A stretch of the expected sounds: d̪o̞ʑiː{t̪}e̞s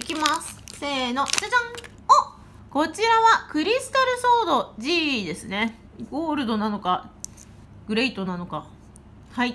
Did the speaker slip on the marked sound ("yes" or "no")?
yes